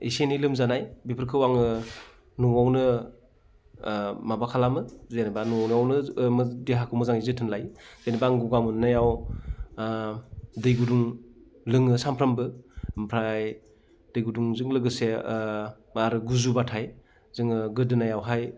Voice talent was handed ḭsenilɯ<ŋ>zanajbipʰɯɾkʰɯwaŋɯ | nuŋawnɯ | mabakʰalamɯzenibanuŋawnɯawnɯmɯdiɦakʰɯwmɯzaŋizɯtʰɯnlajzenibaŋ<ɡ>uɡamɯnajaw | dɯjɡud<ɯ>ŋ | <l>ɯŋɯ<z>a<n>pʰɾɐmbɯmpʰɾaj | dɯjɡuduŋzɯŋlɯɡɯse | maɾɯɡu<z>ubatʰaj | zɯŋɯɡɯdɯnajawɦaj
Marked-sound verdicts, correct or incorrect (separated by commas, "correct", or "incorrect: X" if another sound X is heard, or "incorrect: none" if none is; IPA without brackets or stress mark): incorrect: m, correct, incorrect: u, correct, incorrect: s, incorrect: m, correct